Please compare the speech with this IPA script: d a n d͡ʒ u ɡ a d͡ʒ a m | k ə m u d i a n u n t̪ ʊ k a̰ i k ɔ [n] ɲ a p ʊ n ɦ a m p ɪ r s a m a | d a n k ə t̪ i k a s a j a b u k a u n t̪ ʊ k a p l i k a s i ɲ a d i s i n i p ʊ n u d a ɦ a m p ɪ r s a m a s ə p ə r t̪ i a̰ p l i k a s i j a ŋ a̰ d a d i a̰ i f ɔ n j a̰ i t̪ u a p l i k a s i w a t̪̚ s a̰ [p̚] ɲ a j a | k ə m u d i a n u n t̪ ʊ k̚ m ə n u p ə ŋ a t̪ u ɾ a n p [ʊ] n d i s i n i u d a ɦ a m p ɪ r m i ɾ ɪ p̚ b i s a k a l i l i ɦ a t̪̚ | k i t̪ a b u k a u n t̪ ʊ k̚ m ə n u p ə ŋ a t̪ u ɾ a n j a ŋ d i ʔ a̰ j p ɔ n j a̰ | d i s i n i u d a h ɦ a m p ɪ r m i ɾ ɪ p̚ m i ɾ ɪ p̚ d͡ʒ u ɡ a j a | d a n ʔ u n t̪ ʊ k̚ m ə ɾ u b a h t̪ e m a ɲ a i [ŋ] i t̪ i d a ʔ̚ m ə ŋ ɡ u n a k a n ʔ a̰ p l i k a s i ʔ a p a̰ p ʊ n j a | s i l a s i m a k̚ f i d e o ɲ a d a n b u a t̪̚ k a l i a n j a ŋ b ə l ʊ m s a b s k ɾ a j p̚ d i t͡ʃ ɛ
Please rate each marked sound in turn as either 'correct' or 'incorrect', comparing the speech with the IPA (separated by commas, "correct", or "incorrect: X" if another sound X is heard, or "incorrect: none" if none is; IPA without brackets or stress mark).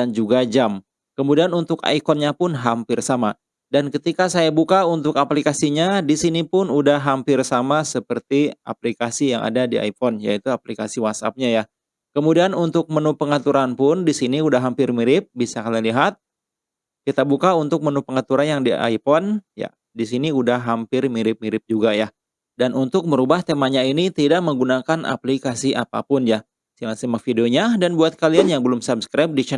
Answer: correct, correct, correct, incorrect: n